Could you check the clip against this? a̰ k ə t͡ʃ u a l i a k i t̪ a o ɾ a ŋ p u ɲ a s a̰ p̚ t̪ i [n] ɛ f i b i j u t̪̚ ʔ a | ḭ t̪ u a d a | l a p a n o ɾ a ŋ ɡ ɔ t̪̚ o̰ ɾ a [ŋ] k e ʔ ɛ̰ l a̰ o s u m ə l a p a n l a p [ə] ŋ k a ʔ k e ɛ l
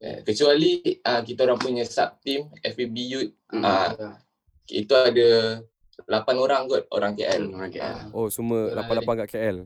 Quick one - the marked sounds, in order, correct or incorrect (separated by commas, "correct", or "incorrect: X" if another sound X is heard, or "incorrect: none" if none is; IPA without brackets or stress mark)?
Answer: incorrect: m, correct, incorrect: a